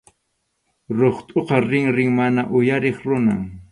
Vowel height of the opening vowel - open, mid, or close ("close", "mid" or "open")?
mid